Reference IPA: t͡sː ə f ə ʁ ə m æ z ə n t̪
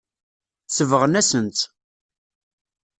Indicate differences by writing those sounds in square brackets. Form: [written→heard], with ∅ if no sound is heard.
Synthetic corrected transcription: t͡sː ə [f→v] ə ʁ ə [m→n] æ [z→s] ə n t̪